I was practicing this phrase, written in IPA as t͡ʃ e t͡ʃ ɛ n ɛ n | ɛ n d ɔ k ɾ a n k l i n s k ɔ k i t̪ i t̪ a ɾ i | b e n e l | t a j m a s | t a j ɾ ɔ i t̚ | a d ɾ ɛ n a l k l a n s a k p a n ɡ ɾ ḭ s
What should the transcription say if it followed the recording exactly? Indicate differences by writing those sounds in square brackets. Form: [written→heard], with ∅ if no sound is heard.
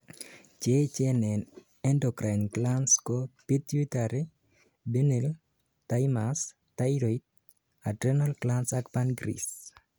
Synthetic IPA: t͡ʃ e t͡ʃ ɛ n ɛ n | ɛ n d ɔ k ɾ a n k l [i→a] n s k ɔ [k→p] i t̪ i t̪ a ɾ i | b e n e l | t a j m a s | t a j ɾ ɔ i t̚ | a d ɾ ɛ n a l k l a n s a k p a n ɡ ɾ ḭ s